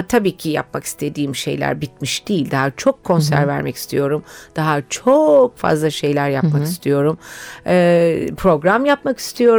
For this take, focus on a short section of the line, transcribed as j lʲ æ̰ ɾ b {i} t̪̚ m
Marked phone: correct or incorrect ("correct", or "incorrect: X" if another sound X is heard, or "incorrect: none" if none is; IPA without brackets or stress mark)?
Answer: correct